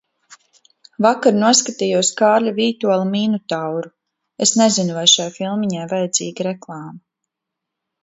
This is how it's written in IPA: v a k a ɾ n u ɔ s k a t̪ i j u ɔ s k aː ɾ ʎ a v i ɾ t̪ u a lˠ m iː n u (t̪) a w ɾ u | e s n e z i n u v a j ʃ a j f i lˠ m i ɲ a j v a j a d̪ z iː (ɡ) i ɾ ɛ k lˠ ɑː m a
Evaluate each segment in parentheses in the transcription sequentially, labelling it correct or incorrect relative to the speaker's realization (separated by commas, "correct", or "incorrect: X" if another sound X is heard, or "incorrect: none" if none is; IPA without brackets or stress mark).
correct, correct